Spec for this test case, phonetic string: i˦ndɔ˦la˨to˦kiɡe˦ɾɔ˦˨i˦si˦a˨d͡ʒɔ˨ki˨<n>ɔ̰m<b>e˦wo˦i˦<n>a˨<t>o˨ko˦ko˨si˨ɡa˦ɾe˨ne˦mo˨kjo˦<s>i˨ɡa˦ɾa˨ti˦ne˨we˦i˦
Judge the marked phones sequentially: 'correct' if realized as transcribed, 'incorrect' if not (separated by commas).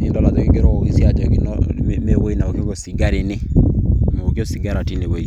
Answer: correct, incorrect, correct, incorrect, correct